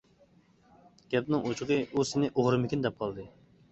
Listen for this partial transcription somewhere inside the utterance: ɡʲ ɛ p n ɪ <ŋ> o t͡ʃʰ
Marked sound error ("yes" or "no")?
no